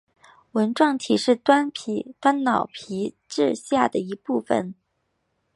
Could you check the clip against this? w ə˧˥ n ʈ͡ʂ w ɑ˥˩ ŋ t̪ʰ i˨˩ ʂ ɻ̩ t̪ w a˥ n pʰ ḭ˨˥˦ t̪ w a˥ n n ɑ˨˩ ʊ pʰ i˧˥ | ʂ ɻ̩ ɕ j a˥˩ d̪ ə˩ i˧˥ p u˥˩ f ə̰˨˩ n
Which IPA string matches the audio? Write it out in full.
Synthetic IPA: w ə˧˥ n ʈ͡ʂ w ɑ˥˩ ŋ t̪ʰ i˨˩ ʂ ɻ̩ t̪ w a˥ n pʰ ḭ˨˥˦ t̪ w a˥ n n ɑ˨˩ ʊ pʰ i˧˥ | ʈ͡ʂ ɻ̩ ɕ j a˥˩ d̪ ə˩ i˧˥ p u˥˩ f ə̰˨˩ n

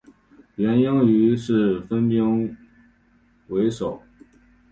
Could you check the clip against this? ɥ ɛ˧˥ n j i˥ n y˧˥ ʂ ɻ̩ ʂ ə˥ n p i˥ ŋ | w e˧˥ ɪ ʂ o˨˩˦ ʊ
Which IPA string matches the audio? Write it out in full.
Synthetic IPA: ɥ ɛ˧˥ n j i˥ ŋ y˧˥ ʂ ɻ̩ f ə˥ n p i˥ ŋ | w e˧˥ ɪ ʂ o˨˩˦ ʊ

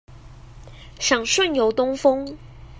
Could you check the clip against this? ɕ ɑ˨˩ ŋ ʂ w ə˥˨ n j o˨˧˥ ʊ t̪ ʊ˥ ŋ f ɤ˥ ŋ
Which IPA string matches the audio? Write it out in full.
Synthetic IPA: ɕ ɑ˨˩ ŋ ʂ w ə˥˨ n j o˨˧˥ ʊ t̪ ʊ˥ ŋ f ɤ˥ ŋ

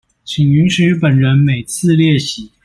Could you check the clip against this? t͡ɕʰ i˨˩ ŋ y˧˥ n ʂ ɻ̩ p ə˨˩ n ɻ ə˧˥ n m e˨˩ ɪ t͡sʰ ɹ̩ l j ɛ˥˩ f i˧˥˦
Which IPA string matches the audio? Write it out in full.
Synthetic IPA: t͡ɕʰ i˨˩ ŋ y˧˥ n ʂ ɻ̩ p ə˨˩ n ɻ ə˧˥ n m e˨˩ ɪ t͡sʰ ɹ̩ l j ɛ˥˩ ɕ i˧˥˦

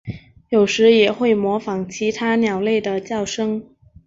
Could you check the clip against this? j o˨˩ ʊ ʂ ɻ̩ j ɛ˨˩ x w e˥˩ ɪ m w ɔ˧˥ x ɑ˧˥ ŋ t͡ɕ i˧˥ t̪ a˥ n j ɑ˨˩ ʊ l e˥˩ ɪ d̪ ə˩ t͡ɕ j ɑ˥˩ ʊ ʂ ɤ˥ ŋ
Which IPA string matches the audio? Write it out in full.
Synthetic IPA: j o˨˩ ʊ ʂ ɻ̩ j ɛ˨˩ x w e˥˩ ɪ m w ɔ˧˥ f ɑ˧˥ ŋ t͡ɕʰ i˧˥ t̪ʰ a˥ n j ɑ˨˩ ʊ l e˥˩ ɪ d̪ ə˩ t͡ɕ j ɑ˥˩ ʊ ʂ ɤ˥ ŋ

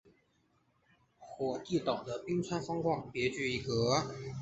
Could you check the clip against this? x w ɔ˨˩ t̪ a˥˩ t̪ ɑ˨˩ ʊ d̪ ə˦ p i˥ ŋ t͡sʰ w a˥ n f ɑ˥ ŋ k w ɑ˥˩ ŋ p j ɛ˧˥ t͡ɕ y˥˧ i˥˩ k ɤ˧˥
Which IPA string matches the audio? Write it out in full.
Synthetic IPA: x w ɔ˨˩ t̪ i˥˩ t̪ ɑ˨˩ ʊ d̪ ə˦ p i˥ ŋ t͡sʰ w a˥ n f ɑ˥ ŋ k w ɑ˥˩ ŋ p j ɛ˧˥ t͡ɕ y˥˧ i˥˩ k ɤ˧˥

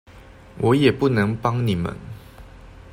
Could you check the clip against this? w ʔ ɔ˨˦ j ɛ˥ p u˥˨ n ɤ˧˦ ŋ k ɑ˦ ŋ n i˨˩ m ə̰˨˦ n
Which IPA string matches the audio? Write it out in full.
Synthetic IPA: w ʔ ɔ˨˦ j ɛ˨˩ p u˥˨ n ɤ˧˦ ŋ p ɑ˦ ŋ n i˨˩ m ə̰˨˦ n

